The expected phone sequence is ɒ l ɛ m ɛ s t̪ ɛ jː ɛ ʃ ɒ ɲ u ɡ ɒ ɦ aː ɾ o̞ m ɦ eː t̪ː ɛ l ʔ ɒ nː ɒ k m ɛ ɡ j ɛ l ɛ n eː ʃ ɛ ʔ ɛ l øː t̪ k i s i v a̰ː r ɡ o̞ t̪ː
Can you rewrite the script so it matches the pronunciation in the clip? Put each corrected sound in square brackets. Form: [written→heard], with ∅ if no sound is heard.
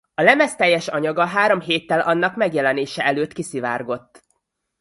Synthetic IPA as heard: ɒ l ɛ m ɛ s t̪ ɛ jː ɛ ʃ ɒ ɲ [u→ɒ] ɡ ɒ ɦ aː ɾ o̞ m ɦ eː t̪ː ɛ l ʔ ɒ nː ɒ k m ɛ ɡ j ɛ l ɛ n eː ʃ ɛ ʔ ɛ l øː t̪ k i s i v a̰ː r ɡ o̞ t̪ː

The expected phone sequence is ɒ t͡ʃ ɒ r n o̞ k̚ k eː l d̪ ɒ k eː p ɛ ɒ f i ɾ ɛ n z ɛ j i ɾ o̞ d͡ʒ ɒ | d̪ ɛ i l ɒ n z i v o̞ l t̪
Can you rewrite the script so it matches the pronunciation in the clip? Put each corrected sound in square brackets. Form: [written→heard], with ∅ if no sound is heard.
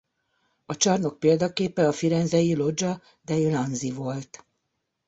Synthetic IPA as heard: ɒ t͡ʃ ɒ r n o̞ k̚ [k→p] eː l d̪ ɒ k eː p ɛ ɒ f i ɾ ɛ n z ɛ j i [ɾ→l] o̞ d͡ʒ ɒ | d̪ ɛ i l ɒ n z i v o̞ l t̪

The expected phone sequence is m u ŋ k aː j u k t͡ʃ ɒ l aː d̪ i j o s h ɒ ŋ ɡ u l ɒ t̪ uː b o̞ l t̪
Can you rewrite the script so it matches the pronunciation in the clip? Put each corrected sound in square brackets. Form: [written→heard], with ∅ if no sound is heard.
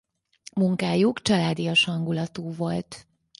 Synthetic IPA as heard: m u ŋ k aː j u k t͡ʃ ɒ l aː d̪ i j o [s→ʃ] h ɒ ŋ ɡ u l ɒ t̪ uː [b→v] o̞ l t̪

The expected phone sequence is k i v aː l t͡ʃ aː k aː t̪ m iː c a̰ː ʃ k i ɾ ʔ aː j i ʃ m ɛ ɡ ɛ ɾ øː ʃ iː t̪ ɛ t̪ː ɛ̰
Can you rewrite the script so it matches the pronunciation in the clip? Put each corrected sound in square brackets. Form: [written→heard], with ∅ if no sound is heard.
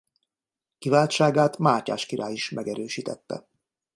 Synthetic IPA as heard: k i v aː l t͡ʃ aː [k→ɡ] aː t̪ m [iː→aː] c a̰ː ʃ k i ɾ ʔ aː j i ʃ m ɛ ɡ ɛ ɾ øː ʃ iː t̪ ɛ t̪ː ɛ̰

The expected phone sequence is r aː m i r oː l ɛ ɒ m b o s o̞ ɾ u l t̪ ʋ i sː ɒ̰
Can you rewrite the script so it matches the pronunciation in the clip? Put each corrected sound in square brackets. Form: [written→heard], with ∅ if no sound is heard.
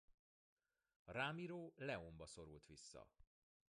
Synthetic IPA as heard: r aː m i [r→ɾ] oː l ɛ [ɒ→o] m b [o→ɒ] s o̞ ɾ u l t̪ ʋ i sː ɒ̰

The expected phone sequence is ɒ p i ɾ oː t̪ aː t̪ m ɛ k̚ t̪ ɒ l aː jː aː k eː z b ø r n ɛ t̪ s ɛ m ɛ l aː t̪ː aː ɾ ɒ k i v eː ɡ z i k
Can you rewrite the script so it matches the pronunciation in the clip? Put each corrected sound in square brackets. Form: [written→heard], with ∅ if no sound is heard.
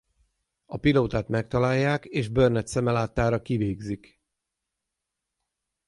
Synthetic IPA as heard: ɒ p i [ɾ→l] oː t̪ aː t̪ m ɛ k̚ t̪ ɒ l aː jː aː k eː [z→ʒ] b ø r n ɛ t̪ s ɛ m ɛ l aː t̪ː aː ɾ ɒ k i v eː ɡ z i k

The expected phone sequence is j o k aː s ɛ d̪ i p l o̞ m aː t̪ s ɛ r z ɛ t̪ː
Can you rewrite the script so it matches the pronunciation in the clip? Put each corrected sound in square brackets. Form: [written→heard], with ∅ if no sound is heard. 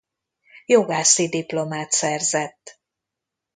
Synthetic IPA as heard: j o [k→ɡ] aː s [ɛ→i] d̪ i p l o̞ m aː t̪ s ɛ r z ɛ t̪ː

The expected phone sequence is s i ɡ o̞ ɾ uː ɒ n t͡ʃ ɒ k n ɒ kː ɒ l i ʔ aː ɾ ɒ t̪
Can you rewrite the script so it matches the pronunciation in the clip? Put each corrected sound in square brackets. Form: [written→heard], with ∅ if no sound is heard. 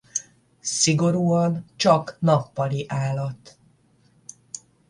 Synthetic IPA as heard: s i ɡ o̞ ɾ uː ɒ n t͡ʃ ɒ k n ɒ [kː→pː] ɒ l i ʔ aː [ɾ→l] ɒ t̪

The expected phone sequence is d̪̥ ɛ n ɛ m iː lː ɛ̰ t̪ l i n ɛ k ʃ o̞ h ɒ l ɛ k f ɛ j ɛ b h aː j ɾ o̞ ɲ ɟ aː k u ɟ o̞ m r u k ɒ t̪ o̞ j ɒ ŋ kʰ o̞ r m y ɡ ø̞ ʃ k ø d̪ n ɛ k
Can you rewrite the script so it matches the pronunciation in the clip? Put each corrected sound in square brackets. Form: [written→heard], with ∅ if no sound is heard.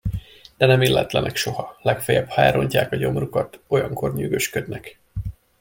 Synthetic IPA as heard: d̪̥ ɛ n ɛ m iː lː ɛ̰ t̪ l [i→ɛ] n ɛ k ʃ o̞ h ɒ l ɛ k f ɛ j ɛ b h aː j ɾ o̞ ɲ [ɟ→c] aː k [u→ɒ] ɟ o̞ m r u k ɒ t̪ o̞ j ɒ ŋ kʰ o̞ r [m→ɲ] y ɡ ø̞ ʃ k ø d̪ n ɛ k

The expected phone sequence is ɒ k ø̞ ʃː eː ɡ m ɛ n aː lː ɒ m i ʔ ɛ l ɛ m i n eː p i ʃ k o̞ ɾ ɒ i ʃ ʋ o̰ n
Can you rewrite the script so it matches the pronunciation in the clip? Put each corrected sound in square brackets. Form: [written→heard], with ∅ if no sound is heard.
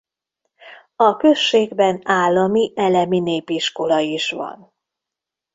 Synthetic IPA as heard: ɒ k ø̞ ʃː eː ɡ [m→b] ɛ n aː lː ɒ m i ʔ ɛ l ɛ m i n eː p i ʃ k o̞ [ɾ→l] ɒ i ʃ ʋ [o̰→ɒ̰] n

